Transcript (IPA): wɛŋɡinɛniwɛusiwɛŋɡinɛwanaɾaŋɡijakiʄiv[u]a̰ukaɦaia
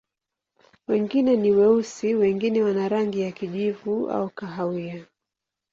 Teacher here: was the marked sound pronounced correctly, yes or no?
yes